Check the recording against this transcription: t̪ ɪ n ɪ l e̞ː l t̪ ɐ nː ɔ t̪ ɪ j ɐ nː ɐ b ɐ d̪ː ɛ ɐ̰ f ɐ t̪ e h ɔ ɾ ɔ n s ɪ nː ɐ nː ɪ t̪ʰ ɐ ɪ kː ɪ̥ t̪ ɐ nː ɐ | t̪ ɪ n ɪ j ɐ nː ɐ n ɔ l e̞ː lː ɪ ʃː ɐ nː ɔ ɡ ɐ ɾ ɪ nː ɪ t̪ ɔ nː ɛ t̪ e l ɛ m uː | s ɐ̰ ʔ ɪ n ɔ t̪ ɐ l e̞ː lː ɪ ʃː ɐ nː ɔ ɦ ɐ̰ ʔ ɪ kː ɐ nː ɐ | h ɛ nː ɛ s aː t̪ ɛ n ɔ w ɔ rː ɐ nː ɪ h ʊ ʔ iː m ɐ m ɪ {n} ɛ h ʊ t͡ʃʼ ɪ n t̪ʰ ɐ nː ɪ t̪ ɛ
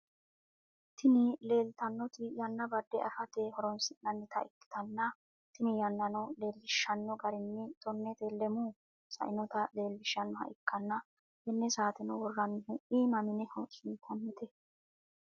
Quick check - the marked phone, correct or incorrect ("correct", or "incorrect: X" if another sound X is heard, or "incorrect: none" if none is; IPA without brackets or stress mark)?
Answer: correct